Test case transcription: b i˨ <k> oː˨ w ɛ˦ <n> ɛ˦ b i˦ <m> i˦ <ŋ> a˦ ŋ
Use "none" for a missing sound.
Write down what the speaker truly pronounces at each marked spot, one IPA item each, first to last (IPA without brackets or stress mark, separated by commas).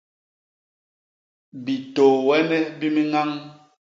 t, n, m, ŋ